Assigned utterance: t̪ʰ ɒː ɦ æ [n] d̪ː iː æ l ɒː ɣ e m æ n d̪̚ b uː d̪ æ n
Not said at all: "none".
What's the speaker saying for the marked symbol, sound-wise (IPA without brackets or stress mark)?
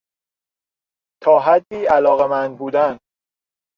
none